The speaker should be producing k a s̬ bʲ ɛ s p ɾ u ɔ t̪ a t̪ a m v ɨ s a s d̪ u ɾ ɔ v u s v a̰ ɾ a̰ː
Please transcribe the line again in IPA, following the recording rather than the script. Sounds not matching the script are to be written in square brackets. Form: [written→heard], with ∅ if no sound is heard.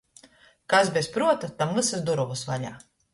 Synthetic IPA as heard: k a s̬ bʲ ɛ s p ɾ u ɔ t̪ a t̪ a m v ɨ s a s d̪ u ɾ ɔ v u s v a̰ [ɾ→ʎ] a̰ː